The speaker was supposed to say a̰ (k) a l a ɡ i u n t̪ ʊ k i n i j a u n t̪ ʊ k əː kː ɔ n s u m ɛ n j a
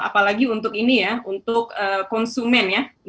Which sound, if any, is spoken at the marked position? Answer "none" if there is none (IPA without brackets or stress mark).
p